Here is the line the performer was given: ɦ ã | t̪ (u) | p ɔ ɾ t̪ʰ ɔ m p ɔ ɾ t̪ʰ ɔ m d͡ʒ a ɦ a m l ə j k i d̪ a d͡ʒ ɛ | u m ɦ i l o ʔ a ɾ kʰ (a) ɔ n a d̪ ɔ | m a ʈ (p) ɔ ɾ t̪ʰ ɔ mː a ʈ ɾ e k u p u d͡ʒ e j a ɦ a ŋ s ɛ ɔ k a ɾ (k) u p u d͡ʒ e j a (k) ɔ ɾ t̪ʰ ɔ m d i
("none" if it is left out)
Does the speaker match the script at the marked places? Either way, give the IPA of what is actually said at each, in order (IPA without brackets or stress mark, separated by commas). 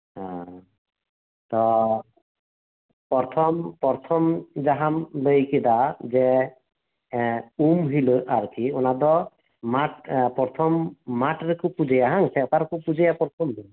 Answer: ɔ, i, p, k, p